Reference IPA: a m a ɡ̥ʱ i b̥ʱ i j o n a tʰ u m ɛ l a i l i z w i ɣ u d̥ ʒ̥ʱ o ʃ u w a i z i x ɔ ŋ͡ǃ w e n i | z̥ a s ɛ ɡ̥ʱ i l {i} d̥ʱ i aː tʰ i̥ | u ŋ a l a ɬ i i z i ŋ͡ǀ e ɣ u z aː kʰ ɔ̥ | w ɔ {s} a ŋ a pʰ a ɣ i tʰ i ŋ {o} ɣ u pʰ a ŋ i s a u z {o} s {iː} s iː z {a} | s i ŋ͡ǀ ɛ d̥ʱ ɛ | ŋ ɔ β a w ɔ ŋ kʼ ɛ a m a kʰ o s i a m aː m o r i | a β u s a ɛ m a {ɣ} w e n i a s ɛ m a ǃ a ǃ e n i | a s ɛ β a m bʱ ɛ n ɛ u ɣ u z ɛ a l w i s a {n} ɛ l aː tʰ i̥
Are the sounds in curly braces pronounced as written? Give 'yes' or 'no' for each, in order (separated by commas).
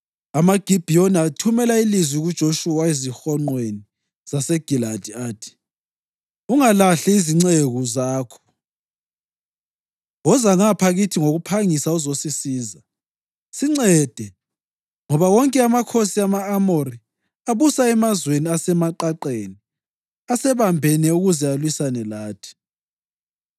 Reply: no, no, yes, yes, no, yes, no, yes